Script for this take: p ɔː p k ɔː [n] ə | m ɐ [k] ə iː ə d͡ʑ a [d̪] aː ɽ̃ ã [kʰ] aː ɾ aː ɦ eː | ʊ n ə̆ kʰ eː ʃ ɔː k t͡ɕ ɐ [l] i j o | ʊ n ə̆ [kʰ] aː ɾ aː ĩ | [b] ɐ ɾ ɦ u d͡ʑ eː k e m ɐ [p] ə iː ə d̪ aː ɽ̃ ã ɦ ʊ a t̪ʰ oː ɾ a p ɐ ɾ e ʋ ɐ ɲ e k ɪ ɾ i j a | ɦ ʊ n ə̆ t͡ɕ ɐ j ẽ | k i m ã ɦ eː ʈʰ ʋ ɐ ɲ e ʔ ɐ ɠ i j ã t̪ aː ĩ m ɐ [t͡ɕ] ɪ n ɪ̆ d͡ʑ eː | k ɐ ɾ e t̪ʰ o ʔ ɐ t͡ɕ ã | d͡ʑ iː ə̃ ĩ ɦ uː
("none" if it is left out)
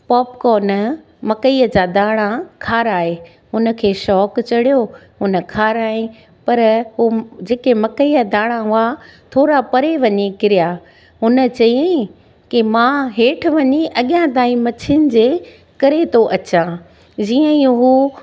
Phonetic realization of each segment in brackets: n, k, d̪, kʰ, ɽ, kʰ, p, k, t͡ɕʰ

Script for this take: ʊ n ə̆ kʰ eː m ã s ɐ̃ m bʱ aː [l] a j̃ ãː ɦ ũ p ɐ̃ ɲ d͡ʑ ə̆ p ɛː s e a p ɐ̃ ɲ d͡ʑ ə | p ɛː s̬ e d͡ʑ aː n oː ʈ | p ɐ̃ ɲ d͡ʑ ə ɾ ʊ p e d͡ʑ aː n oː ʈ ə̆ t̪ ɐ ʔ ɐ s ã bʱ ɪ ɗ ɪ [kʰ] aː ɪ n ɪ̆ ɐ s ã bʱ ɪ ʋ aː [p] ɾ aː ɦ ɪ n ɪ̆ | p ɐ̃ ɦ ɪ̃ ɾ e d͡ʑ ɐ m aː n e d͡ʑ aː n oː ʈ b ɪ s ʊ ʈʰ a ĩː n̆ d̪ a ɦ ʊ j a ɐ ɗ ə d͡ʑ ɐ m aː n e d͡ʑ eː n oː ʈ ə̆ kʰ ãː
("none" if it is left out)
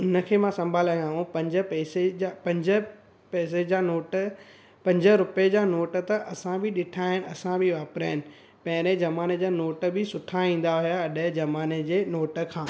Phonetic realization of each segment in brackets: l, ʈʰ, p

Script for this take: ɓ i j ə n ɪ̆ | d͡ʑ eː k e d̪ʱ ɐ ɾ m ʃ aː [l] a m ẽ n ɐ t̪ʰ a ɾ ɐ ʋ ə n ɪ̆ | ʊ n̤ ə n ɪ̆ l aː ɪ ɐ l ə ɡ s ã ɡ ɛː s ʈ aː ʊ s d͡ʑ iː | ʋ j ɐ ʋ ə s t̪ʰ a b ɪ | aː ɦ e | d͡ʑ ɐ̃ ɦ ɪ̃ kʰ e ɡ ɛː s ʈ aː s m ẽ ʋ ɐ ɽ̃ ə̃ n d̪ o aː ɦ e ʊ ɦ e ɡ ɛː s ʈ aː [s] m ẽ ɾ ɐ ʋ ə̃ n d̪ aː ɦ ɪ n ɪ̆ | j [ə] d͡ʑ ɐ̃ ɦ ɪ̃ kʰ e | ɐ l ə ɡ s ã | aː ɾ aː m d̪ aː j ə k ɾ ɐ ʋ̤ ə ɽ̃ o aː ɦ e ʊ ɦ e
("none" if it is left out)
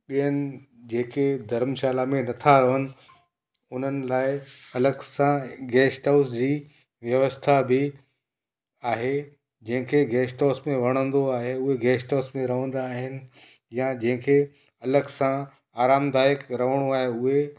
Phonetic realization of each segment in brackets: l, s, a

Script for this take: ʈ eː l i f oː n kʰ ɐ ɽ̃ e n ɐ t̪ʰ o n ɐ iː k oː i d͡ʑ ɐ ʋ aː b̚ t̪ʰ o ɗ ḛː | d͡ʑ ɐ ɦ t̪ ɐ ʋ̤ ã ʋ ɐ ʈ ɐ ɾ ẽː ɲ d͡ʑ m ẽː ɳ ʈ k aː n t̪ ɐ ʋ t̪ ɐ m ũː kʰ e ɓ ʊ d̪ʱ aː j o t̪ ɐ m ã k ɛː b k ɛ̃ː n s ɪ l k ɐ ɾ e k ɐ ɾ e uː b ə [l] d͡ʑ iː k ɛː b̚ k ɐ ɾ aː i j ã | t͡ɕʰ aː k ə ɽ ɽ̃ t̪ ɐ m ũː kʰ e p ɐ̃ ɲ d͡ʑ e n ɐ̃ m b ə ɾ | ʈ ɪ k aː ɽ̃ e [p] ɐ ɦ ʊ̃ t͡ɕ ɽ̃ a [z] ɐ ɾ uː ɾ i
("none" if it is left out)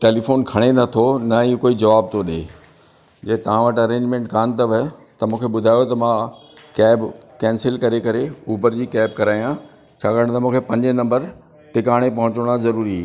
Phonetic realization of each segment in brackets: ɾ, p, z

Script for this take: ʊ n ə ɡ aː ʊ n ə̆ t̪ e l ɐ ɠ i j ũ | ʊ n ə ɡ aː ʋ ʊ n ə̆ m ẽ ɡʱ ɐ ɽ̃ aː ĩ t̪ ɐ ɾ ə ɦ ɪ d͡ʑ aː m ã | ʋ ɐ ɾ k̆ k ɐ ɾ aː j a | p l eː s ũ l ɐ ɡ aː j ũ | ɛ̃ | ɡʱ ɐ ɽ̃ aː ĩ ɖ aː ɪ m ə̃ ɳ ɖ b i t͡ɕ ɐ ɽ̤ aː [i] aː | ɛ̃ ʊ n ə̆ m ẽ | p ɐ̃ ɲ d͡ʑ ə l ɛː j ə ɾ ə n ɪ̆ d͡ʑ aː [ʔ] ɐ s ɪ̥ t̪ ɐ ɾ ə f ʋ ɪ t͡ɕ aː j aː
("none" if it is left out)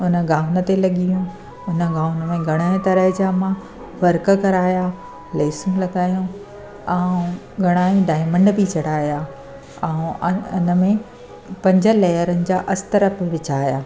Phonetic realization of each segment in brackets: j, ʔ

